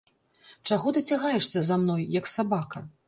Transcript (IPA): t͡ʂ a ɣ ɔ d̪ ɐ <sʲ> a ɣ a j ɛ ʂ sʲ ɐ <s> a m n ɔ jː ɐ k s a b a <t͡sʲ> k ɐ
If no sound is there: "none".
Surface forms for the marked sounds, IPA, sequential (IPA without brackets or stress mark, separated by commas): t͡sʲ, z, none